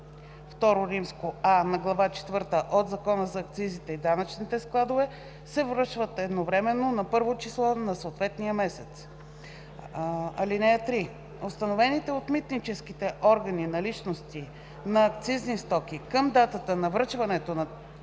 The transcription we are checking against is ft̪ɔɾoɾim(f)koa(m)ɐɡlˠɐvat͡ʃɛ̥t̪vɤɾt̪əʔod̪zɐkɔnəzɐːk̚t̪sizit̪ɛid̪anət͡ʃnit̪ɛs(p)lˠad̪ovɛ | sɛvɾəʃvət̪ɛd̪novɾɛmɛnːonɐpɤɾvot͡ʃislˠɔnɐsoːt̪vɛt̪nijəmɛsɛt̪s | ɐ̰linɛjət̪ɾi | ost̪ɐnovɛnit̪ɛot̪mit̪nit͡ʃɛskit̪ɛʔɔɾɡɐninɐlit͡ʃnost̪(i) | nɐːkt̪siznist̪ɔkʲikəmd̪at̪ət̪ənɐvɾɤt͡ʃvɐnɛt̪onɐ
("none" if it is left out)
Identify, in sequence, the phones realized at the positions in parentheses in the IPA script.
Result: s, n, k, i

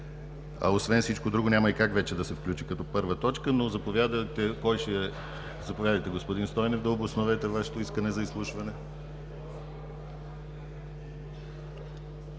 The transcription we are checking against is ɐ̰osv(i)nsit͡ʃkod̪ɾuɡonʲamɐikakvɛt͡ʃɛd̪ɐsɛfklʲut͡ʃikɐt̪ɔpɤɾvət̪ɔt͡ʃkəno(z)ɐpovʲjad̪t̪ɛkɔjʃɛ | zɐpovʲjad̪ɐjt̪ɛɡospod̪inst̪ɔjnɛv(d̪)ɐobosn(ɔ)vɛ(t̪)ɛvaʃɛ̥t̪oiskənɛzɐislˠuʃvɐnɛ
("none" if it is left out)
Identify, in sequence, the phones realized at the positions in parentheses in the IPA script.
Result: ɛ, z, d̪, o, t̪

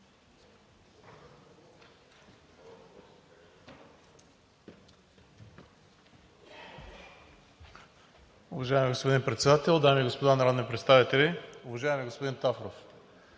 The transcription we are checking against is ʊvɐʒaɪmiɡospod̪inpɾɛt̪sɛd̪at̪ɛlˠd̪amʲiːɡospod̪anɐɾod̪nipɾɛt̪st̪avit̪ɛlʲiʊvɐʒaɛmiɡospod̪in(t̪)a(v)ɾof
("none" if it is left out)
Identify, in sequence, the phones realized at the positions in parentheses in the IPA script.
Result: t̪, f

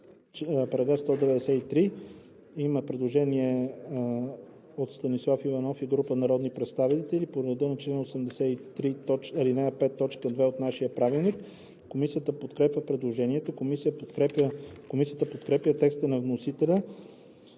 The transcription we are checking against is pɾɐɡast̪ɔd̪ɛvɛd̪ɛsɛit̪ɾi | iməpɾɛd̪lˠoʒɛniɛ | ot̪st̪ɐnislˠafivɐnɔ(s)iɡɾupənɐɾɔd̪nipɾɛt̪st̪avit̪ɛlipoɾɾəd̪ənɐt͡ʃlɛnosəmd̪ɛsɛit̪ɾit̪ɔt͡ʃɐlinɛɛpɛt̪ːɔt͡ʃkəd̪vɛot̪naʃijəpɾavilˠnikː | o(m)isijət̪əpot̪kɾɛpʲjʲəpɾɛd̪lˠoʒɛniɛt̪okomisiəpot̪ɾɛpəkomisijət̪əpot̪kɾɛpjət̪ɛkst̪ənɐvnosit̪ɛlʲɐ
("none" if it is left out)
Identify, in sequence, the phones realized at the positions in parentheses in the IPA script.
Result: f, m

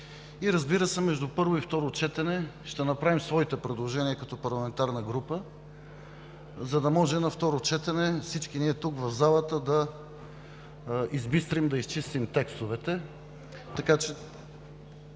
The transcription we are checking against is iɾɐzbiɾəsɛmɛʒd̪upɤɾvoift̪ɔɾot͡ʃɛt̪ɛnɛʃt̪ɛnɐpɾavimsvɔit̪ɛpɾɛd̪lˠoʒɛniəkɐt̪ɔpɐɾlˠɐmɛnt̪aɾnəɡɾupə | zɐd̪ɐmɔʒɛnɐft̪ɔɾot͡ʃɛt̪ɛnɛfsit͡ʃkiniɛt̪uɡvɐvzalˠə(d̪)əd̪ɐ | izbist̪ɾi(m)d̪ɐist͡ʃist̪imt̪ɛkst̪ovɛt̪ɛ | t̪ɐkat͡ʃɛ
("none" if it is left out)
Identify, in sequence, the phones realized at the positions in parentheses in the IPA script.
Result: t̪, m

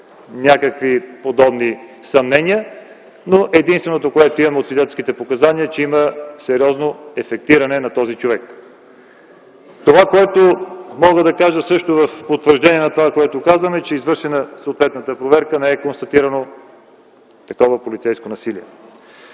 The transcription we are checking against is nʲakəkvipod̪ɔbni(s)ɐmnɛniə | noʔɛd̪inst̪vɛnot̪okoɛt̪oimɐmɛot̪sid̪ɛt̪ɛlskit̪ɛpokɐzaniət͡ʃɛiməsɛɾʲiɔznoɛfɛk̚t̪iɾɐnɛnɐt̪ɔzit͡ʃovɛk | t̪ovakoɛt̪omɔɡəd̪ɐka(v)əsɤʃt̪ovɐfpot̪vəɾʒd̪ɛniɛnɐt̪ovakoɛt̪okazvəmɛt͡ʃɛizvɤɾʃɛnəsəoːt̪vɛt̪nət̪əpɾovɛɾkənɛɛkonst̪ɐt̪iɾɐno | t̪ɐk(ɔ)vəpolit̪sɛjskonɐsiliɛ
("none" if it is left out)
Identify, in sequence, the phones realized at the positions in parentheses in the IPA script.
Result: s, ʒ, ɔ

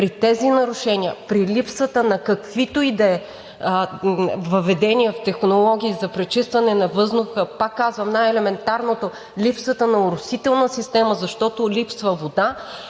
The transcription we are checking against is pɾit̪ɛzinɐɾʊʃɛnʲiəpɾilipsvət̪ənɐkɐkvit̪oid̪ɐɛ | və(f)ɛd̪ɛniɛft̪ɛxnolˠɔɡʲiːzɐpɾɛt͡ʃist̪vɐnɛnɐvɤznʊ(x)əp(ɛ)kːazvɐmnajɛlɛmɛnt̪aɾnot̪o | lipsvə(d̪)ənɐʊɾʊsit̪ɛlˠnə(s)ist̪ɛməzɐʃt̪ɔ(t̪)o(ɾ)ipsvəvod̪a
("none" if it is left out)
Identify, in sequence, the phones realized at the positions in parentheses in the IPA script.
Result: v, x, a, t̪, s, t̪, l

